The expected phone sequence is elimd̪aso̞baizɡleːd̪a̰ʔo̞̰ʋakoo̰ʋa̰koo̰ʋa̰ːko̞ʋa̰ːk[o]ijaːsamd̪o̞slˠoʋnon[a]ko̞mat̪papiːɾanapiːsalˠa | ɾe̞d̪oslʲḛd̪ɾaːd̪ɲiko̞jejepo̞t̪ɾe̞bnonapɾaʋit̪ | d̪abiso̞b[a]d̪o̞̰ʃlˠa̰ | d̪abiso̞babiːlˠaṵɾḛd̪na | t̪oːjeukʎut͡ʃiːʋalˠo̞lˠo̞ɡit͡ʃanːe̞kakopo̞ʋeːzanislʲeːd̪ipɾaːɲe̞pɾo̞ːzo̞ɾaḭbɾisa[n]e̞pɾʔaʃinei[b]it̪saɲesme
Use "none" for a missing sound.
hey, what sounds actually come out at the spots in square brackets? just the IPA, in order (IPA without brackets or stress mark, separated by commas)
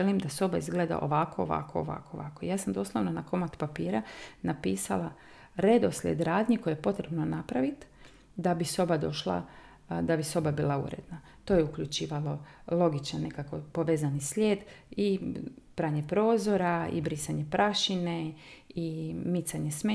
o, a, a, ɲ, m